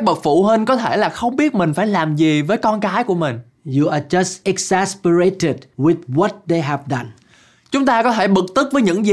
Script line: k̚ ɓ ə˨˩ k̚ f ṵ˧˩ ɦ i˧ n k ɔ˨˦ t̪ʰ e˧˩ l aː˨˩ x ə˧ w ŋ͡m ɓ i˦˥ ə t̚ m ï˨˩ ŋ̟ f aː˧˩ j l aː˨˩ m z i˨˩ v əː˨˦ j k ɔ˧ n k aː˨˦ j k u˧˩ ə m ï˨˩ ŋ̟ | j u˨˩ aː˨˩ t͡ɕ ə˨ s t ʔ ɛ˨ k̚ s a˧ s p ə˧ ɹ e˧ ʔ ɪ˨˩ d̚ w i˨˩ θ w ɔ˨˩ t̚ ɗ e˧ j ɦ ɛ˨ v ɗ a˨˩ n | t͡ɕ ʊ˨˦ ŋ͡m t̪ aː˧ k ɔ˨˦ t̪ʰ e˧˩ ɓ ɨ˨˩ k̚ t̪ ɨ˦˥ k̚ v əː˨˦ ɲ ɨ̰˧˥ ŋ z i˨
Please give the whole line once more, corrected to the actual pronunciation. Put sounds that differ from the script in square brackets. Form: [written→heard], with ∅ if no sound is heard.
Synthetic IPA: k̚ ɓ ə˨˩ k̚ f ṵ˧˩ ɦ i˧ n k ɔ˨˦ t̪ʰ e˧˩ l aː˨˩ x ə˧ w ŋ͡m ɓ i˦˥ ə t̚ m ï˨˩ ŋ̟ f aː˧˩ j l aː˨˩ m z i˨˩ v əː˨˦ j k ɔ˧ n k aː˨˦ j k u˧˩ ə m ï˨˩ ŋ̟ | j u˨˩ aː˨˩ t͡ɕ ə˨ s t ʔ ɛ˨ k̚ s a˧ s p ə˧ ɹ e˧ [ʔ→t] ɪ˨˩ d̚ w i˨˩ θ w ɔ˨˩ t̚ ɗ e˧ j ɦ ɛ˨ v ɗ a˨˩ n | t͡ɕ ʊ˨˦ ŋ͡m t̪ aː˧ k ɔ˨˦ t̪ʰ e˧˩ ɓ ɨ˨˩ k̚ t̪ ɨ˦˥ k̚ v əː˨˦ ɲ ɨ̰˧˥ ŋ z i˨